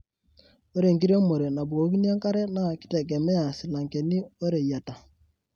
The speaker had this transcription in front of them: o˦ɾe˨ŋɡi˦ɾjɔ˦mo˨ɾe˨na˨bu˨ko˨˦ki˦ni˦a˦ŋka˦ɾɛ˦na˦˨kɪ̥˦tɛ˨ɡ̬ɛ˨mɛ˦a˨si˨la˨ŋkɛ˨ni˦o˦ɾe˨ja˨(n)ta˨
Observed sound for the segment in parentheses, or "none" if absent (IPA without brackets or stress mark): none